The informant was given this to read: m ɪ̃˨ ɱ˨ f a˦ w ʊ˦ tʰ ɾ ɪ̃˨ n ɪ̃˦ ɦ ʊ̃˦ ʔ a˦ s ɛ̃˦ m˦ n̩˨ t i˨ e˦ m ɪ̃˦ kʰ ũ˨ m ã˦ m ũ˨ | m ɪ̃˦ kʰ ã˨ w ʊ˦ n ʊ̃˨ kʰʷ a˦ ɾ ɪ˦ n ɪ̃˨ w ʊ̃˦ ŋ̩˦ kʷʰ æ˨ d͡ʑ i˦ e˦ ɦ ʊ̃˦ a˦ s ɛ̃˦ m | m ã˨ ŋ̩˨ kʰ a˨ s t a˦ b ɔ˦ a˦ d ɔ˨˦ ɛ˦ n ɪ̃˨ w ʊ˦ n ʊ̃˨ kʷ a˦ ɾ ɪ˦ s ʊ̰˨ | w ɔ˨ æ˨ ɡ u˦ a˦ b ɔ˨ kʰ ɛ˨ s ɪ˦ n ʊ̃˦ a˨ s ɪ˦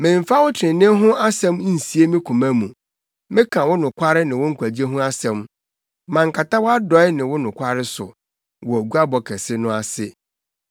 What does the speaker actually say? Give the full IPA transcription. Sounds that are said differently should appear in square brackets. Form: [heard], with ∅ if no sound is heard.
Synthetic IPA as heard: m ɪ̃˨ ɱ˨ f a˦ w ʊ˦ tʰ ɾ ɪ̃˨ n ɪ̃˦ ɦ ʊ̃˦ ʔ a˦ s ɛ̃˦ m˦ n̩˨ [s] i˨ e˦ m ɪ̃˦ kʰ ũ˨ m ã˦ m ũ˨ | m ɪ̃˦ kʰ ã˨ w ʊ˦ n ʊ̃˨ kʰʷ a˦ ɾ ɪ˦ n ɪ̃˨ w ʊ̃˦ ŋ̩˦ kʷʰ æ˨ d͡ʑ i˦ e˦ ɦ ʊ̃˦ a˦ s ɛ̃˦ m | m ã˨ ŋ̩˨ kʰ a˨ [∅] t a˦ [w] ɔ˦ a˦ d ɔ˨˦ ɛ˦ n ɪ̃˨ w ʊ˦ n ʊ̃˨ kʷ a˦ ɾ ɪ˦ s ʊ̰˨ | w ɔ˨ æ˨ ɡ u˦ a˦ b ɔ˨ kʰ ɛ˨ s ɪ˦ n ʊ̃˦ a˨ s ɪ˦